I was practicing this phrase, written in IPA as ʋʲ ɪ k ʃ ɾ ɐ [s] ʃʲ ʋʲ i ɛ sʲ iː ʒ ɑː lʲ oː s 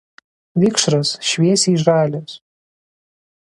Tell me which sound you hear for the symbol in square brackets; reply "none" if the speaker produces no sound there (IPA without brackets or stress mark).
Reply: s